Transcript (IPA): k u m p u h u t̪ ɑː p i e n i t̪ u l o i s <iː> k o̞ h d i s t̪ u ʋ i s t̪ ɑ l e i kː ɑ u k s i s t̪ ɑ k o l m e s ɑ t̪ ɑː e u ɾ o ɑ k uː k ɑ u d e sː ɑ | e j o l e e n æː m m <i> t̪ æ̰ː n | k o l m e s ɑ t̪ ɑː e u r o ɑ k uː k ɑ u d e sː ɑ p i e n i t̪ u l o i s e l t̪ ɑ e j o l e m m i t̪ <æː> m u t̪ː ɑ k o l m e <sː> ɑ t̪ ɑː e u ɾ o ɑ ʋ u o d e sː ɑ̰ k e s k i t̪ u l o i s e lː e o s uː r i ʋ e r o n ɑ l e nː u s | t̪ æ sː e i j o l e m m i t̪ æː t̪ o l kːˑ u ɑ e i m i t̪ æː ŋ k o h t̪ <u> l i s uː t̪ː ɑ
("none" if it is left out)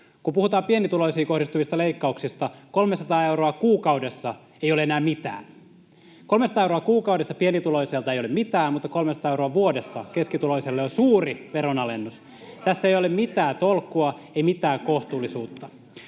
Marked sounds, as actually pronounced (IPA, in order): iː, i, æː, s, uː

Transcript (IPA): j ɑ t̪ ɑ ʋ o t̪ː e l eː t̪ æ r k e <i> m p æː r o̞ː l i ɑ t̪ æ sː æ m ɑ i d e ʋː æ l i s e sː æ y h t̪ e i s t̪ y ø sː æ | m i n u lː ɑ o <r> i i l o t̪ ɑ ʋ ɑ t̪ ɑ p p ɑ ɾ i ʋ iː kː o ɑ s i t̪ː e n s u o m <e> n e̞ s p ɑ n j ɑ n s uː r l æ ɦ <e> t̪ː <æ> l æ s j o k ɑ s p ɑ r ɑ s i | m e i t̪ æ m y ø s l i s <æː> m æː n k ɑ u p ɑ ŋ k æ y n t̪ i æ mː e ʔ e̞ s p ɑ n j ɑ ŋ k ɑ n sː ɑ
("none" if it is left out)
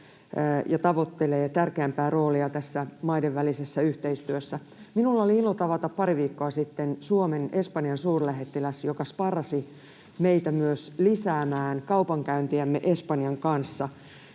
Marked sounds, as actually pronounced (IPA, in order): æ, l, e, e, i, æː

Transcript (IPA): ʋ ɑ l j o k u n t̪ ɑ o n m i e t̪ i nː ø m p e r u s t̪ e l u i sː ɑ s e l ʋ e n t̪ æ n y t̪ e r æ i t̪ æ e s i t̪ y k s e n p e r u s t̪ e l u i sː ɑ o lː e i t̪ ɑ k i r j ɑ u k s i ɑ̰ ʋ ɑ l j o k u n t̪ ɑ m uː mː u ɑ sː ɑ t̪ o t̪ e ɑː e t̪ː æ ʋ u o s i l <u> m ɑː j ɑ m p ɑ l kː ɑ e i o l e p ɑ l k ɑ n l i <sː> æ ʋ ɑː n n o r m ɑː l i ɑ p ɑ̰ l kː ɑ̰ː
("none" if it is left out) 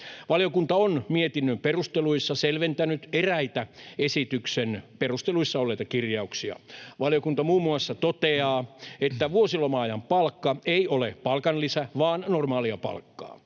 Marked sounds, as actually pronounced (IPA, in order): o, s

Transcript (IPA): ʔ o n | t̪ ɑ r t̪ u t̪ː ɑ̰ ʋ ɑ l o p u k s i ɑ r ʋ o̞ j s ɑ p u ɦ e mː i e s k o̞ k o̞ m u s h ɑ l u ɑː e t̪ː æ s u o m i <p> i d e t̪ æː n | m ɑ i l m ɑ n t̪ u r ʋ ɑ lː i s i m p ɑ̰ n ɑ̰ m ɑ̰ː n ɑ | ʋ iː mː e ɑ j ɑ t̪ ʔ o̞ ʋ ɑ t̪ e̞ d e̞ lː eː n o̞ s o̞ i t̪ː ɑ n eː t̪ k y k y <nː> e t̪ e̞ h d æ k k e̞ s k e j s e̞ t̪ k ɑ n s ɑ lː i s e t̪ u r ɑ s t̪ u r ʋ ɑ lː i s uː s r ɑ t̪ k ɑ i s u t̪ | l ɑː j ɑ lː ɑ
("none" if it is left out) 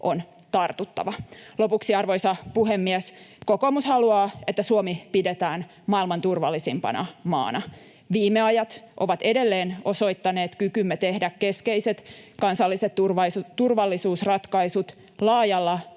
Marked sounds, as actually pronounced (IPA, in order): p, mː

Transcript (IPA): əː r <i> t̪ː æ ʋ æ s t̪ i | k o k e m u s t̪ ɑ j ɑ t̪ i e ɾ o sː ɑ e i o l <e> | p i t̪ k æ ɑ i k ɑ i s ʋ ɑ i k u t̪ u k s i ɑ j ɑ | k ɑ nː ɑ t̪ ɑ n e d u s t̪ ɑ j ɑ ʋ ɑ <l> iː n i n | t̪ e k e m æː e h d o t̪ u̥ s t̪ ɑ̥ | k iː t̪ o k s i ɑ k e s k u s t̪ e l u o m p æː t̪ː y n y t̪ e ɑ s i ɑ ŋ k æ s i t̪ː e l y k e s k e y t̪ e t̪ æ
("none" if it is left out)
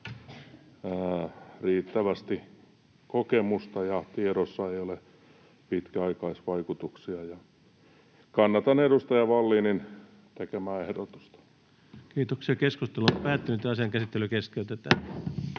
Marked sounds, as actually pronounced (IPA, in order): iː, e, lː

